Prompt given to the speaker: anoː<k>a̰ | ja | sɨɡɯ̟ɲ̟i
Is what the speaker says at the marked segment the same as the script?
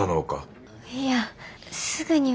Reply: yes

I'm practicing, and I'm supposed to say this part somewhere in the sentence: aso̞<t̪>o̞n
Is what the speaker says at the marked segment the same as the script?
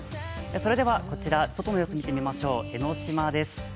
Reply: yes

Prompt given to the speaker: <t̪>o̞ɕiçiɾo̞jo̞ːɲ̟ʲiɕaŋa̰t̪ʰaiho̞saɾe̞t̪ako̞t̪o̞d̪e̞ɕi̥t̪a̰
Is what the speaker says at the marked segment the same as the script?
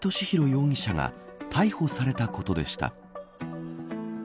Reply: yes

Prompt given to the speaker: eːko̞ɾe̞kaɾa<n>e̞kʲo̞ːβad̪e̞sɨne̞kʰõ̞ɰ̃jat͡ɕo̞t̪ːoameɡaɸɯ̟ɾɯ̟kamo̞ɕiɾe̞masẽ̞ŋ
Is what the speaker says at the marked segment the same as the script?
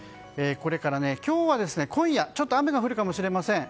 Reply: yes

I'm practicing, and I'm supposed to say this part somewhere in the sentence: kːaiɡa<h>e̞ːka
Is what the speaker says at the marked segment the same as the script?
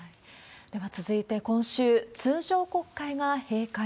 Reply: yes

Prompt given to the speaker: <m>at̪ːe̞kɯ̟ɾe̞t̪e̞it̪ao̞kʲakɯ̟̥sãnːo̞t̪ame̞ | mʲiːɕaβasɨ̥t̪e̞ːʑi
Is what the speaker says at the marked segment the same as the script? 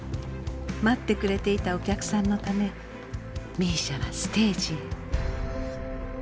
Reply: yes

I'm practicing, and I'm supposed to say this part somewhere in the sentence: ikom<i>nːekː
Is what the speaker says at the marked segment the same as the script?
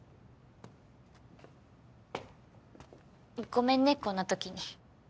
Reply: no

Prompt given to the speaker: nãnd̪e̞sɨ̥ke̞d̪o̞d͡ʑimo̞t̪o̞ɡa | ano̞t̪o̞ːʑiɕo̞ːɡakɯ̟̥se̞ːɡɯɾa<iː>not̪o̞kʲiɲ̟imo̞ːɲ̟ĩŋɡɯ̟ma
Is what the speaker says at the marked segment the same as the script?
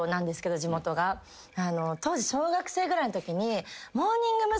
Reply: no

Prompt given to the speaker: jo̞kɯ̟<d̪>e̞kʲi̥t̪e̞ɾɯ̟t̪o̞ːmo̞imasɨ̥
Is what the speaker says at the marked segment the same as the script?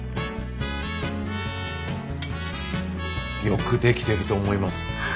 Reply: yes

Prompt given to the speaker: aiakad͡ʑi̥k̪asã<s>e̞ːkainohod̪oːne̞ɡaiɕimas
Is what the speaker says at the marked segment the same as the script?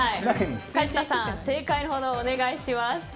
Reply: yes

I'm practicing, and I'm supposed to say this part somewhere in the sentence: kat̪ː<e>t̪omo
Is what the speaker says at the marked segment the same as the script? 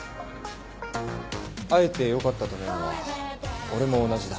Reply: no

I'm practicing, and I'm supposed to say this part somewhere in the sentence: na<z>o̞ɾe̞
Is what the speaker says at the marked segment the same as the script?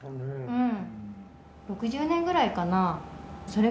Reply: no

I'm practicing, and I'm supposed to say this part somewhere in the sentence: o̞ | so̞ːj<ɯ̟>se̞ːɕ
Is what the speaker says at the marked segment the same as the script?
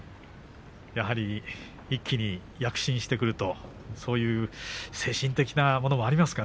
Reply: no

